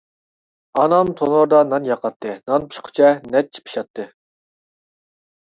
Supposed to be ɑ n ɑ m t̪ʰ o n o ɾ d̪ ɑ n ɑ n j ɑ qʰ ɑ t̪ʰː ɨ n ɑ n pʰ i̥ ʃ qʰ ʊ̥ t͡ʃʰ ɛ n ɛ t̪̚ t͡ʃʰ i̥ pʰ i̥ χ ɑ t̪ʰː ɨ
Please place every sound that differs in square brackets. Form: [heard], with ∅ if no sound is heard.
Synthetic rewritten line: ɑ n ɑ m t̪ʰ o n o ɾ d̪ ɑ n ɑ n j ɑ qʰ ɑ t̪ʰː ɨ n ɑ n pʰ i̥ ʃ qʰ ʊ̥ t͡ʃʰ ɛ n ɛ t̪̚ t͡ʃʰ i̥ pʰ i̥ [ʃ] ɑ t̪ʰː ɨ